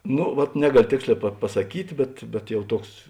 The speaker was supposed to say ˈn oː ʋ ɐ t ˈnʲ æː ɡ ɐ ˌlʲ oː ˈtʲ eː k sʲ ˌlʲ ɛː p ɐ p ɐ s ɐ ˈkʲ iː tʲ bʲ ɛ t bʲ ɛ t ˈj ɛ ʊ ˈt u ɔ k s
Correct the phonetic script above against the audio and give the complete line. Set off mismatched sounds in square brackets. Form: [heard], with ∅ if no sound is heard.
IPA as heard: ˈn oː ʋ ɐ t ˈnʲ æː ɡ ɐ ˌlʲ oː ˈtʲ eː k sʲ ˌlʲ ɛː p ɐ p ɐ s ɐ ˈkʲ iː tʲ bʲ ɛ t bʲ ɛ t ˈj ɛ ʊ ˈt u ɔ k s